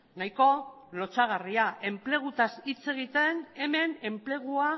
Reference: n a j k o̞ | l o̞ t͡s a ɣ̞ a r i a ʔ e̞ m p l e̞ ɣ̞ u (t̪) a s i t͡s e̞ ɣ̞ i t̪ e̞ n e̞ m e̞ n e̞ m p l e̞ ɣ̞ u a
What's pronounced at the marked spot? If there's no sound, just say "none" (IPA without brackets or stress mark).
t̪